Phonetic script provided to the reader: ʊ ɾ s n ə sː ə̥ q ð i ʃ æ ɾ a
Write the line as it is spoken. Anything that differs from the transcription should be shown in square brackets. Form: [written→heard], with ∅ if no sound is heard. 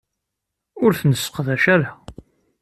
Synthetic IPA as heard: ʊ ɾ [s→θ] n ə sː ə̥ q ð [i→æ] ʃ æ ɾ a